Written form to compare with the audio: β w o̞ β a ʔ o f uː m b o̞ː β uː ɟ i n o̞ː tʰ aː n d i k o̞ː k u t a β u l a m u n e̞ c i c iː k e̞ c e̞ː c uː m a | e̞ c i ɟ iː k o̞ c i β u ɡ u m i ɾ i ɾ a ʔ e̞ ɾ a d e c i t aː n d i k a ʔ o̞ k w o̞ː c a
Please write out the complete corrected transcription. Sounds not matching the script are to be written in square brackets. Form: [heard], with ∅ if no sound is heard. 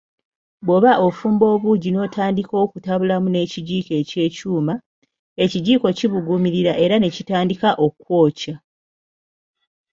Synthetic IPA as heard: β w o̞ β a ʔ o f uː m b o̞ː β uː ɟ i n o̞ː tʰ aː n d i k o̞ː k u t a β u l a m u n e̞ c i [ɟ] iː k e̞ c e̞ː c uː m a | e̞ c i ɟ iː k o̞ c i β u ɡ u m i ɾ i ɾ a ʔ e̞ ɾ a [n] e c i t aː n d i k a ʔ o̞ k w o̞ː c a

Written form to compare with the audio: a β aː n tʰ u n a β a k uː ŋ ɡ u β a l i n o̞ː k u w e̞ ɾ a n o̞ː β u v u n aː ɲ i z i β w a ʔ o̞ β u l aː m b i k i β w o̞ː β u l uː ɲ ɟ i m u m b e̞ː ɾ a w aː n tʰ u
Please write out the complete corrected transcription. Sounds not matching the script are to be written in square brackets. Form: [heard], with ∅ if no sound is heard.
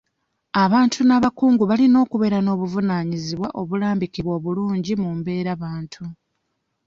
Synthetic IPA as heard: a β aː n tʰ u n a β a k uː ŋ ɡ u β a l i n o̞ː k u [β] e̞ ɾ a n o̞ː β u v u n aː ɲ i z i β w a ʔ o̞ β u l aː m b i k i β w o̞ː β u l uː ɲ ɟ i m u m b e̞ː ɾ a [β] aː n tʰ u

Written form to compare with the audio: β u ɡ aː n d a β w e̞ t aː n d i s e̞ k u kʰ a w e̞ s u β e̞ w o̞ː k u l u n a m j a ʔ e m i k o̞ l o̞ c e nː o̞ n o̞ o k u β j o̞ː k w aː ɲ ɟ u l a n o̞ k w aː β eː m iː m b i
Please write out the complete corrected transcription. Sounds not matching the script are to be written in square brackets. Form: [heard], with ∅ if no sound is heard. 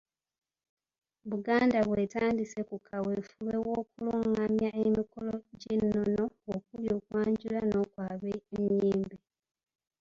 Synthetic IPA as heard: β u ɡ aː n d a β w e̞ t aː n d i s e̞ k u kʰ a w e̞ [f] u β e̞ w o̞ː k u l u [ŋ] a m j a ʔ e m i k o̞ l o̞ [ɟ] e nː o̞ n o̞ o k u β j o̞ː k w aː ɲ ɟ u l a n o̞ k w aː β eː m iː m b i

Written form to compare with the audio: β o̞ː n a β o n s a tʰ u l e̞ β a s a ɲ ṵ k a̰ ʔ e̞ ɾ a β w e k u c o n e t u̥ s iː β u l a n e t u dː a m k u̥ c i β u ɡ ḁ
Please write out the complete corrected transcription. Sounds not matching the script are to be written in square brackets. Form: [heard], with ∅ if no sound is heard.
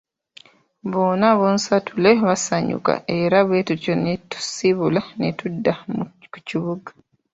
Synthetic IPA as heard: β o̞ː n a β o n s a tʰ u l e̞ β a s a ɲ ṵ k a̰ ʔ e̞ ɾ a β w e [t] u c o n e t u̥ s [i] β u l a n e t u dː a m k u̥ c i β u ɡ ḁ

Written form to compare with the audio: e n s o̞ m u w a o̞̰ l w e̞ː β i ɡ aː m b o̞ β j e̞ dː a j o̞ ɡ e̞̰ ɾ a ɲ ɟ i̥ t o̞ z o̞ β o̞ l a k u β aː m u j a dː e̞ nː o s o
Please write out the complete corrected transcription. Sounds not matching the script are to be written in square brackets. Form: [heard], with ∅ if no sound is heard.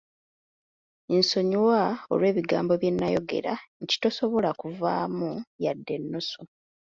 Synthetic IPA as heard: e n s o̞ [ɲ] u w a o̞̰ l w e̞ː β i ɡ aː m b o̞ β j e̞ [nː] a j o̞ ɡ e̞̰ ɾ a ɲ [c] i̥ t o̞ [s] o̞ β o̞ l a k u [v] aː m u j a dː e̞ nː o s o

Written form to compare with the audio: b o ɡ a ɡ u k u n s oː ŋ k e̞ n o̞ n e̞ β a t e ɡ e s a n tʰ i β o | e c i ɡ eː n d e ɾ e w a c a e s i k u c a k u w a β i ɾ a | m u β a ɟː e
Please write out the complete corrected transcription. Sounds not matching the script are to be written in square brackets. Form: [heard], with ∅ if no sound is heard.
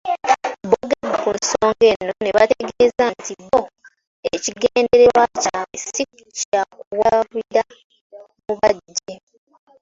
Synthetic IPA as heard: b o ɡ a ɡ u k u n s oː ŋ [ɡ] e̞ n o̞ n e̞ β a t e ɡ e [z] a n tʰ i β o | e c i ɡ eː n d e ɾ e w a c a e s i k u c a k u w a β i ɾ a | m u β a ɟː e

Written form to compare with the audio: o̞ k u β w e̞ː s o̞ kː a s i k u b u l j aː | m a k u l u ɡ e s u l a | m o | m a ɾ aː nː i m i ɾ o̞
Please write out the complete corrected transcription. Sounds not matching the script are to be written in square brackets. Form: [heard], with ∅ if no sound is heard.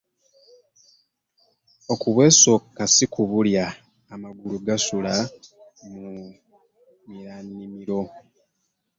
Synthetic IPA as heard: o̞ k u β w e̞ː s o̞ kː a s i k u [β] u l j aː | m a [ɡ] u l u ɡ [a] s u l a | m [u] | m [i] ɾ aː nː i m i ɾ o̞

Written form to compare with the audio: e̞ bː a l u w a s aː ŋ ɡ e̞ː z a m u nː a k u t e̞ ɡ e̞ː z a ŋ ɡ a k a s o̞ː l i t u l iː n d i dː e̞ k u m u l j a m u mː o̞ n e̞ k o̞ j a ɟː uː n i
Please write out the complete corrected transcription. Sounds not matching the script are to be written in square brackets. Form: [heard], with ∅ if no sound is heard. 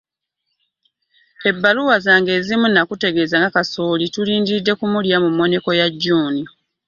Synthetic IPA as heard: e̞ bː a l u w a [z] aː ŋ ɡ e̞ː z [i] m u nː a k u t e̞ ɡ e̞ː z a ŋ ɡ a k a s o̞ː l i t u l iː n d i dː e̞ k u m u l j a m u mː o̞ n e̞ k o̞ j a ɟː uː n i

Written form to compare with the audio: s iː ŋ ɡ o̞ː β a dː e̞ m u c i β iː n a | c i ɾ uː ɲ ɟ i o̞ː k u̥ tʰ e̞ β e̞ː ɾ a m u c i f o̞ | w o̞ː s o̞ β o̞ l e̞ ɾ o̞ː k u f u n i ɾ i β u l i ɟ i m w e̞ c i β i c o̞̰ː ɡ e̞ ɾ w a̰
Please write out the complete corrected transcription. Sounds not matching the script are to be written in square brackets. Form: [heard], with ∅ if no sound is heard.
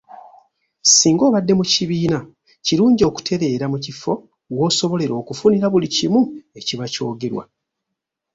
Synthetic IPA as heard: s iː ŋ ɡ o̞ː β a dː e̞ m u c i β iː n a | c i ɾ uː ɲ ɟ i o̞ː k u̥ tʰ e̞ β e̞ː ɾ a m u c i f o̞ | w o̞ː s o̞ β o̞ l e̞ ɾ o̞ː k u f u n i ɾ [a] β u l i [c] i m [u] e̞ c i β [a] c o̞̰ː ɡ e̞ ɾ w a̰

